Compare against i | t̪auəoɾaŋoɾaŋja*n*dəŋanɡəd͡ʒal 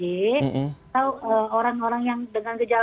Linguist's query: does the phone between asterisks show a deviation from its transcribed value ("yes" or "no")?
yes